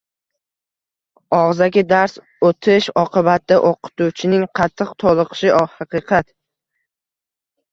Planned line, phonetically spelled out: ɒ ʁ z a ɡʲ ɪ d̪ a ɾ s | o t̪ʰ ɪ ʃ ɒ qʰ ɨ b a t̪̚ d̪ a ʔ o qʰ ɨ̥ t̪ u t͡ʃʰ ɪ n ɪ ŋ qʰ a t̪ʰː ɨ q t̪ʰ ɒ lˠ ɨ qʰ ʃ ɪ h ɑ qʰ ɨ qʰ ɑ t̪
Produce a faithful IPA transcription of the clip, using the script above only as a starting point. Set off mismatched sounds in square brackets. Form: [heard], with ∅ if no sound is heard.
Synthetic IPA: ɒ ʁ z a ɡʲ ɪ d̪ a ɾ s | o t̪ʰ ɪ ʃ ɒ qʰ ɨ b a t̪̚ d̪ a ʔ o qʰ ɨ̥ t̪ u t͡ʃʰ ɪ n ɪ ŋ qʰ [ɑ] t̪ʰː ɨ q t̪ʰ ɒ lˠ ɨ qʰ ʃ ɪ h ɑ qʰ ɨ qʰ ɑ t̪